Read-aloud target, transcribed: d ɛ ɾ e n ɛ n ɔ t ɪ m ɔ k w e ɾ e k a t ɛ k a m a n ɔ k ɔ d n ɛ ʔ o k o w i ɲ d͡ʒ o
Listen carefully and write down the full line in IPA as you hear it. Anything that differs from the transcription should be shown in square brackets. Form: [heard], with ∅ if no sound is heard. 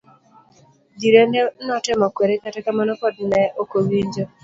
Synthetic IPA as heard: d [i] ɾ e n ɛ n ɔ t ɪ m ɔ k w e ɾ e k a t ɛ k a m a n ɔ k ɔ d n ɛ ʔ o k o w i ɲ d͡ʒ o